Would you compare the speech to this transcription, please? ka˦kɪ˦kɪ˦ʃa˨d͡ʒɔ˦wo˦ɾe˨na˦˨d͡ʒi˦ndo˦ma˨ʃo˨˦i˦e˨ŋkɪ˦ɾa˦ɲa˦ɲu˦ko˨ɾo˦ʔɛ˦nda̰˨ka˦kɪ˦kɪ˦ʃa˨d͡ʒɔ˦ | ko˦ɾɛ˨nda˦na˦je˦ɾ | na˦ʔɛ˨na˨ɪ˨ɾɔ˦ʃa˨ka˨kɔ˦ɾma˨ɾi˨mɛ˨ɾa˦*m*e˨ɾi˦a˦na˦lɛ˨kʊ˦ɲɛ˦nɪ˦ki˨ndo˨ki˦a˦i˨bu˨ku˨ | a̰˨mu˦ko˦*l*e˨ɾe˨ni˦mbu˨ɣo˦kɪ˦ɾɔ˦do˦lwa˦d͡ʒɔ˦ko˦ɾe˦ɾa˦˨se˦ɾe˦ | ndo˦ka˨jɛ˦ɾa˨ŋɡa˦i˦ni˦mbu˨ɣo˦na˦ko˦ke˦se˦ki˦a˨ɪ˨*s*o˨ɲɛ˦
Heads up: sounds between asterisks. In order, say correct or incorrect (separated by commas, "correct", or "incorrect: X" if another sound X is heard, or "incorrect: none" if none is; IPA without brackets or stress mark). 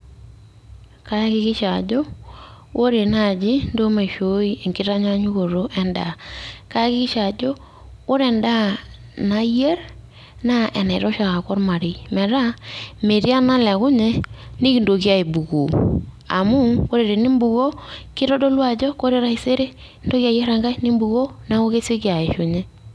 correct, incorrect: ɾ, incorrect: ʃ